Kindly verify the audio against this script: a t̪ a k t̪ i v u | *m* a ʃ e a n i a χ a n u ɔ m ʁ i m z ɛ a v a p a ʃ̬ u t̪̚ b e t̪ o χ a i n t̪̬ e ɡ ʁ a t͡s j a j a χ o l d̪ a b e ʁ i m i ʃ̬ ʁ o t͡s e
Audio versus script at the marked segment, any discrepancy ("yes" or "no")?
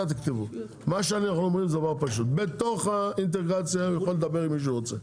no